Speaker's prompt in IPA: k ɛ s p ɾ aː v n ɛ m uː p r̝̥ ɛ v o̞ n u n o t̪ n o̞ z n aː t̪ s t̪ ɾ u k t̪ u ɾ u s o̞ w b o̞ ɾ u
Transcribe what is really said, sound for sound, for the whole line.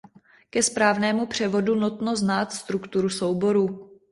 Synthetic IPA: k ɛ s p ɾ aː v n ɛː m u p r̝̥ ɛ v o̞ d u n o t̪ n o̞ z n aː t̪ s t̪ ɾ u k t̪ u ɾ u s o̞ w b o̞ ɾ u